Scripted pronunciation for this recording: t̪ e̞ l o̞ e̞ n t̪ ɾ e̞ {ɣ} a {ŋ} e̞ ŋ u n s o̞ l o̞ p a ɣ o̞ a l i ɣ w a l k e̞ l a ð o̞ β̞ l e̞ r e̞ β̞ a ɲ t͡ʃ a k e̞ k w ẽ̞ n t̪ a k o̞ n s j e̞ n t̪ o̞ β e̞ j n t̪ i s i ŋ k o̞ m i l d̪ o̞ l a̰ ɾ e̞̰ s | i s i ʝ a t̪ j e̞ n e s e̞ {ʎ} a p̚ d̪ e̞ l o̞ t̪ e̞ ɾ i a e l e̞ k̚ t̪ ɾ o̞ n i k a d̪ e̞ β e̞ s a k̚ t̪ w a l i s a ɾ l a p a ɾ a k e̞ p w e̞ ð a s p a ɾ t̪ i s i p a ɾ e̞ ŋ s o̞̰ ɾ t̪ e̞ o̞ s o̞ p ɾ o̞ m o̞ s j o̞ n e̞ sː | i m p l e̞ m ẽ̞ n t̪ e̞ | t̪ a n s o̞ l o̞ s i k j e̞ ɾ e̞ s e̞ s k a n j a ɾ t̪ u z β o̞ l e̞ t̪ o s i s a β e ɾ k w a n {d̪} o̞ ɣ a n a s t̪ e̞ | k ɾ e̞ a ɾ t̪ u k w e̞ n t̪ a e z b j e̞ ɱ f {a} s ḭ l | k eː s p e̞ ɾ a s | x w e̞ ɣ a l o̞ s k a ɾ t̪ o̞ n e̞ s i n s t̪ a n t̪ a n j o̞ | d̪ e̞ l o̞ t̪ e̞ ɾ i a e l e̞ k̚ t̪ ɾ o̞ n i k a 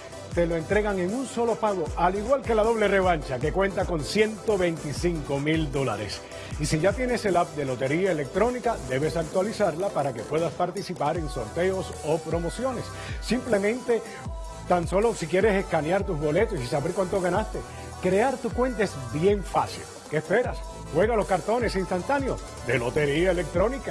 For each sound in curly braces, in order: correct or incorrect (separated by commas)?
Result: correct, correct, incorrect, incorrect, correct